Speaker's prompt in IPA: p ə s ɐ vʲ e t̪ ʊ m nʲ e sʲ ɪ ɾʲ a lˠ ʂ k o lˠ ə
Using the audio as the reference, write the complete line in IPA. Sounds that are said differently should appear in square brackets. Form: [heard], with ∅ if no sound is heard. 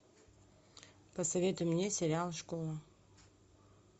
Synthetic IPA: p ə s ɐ vʲ e t̪ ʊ m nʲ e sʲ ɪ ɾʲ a lˠ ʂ k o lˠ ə

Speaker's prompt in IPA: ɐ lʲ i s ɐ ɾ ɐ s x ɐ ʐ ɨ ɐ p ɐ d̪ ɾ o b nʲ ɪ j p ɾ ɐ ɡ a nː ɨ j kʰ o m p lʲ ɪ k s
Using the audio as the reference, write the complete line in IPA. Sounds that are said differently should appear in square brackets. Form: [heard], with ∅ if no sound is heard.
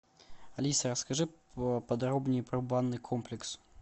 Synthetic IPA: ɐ lʲ i s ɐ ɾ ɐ s [k] ɐ ʐ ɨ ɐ p ɐ d̪ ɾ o b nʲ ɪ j p ɾ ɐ [b] a nː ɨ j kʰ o m p lʲ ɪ k s

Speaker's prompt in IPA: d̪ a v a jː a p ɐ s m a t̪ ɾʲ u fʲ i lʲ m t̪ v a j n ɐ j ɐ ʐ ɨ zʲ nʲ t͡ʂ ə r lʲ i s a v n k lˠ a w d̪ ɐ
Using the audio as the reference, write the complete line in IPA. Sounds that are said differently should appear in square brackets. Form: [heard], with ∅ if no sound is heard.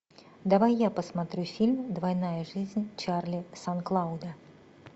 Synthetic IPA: d̪ a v a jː a p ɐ s m a t̪ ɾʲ u fʲ i lʲ m [d̪] v a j n [a] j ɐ ʐ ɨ zʲ nʲ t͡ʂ [a] r lʲ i s a [∅] n k lˠ a w d̪ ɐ

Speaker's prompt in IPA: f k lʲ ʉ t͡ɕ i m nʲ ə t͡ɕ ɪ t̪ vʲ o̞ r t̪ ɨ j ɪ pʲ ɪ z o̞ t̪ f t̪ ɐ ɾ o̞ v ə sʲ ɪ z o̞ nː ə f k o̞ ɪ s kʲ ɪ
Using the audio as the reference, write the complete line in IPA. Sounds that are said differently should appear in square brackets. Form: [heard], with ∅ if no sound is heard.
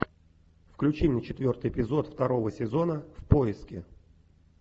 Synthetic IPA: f k lʲ ʉ t͡ɕ i m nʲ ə t͡ɕ ɪ t̪ vʲ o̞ r t̪ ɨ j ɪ pʲ ɪ z o̞ t̪ f t̪ ɐ ɾ o̞ v ə sʲ ɪ z o̞ [n] ə f [p] o̞ ɪ s kʲ ɪ

